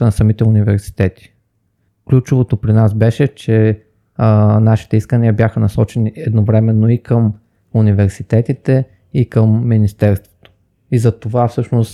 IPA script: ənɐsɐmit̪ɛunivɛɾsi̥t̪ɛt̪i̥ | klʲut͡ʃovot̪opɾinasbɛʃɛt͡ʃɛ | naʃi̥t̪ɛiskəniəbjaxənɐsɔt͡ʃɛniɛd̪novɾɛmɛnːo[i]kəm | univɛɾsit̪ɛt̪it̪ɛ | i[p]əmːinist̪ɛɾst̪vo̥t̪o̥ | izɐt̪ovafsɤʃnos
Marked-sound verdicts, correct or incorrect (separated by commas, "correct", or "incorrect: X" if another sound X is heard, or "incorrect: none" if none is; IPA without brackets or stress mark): correct, incorrect: k